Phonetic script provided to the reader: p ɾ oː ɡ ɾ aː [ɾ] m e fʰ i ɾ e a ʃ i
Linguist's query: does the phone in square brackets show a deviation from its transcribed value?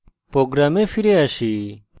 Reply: yes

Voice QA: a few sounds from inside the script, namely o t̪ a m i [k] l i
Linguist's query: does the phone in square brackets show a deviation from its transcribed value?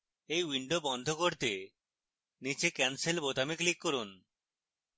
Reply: no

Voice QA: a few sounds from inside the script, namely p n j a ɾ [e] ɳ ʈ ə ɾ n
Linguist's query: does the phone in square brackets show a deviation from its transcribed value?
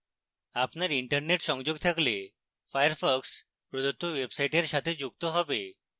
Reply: yes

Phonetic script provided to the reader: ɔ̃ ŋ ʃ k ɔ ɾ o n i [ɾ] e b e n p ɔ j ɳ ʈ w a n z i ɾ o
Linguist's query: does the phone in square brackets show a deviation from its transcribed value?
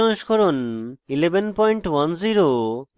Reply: yes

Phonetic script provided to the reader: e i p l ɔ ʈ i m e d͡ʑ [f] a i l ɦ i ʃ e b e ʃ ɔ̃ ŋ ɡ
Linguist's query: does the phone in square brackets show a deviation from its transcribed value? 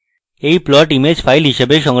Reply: no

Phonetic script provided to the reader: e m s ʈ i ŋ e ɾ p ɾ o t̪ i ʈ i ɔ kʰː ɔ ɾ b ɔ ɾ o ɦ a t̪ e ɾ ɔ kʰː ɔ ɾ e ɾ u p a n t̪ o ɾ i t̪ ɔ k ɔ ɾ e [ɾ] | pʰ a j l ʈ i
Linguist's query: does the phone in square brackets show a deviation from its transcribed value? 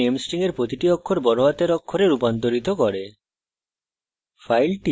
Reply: yes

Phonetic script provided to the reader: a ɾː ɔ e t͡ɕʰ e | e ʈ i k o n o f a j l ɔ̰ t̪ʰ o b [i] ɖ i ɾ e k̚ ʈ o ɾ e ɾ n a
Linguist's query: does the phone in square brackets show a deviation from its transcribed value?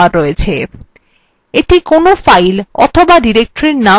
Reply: yes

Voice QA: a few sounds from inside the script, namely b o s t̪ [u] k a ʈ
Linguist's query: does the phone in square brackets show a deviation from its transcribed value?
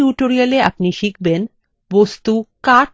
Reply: no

